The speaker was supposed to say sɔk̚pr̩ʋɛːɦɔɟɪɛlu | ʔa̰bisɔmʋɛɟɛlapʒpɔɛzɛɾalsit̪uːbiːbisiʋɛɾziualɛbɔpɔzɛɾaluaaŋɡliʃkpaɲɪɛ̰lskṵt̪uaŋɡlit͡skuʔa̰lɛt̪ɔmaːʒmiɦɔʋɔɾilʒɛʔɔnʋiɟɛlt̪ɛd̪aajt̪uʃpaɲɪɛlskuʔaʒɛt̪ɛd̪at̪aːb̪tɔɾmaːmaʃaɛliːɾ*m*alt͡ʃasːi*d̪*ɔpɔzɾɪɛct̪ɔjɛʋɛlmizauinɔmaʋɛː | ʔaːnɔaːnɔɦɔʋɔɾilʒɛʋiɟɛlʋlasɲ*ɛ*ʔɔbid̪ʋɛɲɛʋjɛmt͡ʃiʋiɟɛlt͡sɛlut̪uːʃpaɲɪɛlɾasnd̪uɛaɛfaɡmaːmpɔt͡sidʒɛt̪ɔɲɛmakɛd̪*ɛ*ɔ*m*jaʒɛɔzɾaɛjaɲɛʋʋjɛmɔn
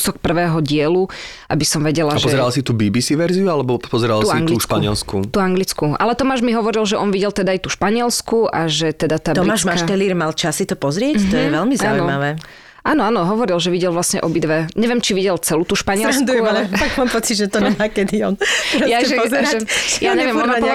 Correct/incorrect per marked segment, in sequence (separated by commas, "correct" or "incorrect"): correct, incorrect, correct, incorrect, incorrect